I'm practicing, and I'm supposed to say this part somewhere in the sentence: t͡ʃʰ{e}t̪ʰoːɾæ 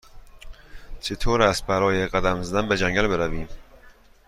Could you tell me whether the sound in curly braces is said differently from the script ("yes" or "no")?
no